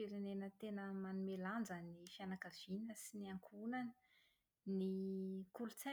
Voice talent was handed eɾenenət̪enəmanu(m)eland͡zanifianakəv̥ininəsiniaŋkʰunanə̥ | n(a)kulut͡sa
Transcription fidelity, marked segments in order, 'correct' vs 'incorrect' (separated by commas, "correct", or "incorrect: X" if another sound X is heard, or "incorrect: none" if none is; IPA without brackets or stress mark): correct, incorrect: i